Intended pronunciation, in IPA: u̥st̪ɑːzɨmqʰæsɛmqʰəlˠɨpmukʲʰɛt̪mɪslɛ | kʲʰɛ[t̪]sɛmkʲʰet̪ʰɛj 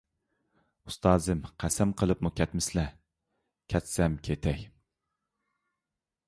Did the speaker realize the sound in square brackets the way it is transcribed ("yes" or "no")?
yes